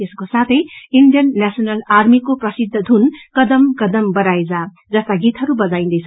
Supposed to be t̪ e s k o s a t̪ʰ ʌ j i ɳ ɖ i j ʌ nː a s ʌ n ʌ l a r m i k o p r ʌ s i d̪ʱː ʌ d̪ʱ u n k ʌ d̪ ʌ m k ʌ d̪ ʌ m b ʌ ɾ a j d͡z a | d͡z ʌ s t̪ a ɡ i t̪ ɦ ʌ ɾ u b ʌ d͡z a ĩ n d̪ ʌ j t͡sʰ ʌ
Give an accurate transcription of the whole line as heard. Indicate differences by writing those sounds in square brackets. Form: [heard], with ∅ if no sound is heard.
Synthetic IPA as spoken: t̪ e s k o s a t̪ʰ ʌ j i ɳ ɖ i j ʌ nː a s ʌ n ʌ l a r m i k o p r ʌ s i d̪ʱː ʌ d̪ʱ u n k ʌ d̪ ʌ m k ʌ d̪ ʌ m b ʌ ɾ a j d͡z a | d͡z ʌ s t̪ a ɡ i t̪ ɦ ʌ ɾ u b ʌ d͡z a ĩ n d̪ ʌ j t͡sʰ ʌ